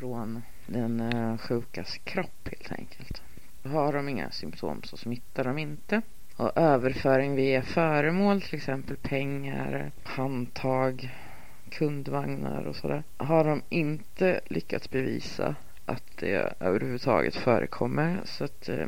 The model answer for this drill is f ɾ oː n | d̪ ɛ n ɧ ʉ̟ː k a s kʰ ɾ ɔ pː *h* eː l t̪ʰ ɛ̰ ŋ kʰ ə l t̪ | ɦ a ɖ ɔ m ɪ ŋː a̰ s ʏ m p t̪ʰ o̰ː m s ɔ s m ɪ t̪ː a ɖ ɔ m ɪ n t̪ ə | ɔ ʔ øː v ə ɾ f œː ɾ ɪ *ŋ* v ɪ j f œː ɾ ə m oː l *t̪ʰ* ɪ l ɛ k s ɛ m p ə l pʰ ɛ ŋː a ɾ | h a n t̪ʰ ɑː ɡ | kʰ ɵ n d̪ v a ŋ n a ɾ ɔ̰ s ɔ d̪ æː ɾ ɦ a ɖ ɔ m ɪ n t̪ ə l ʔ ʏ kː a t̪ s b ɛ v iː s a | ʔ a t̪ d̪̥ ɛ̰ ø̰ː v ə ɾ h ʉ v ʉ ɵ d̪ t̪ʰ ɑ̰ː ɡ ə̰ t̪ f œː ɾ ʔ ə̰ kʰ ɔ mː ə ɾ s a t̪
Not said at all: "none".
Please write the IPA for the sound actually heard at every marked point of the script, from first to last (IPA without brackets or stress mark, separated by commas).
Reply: h, ŋ, t̪ʰ